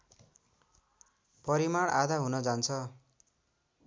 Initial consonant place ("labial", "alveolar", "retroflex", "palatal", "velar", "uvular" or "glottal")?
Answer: labial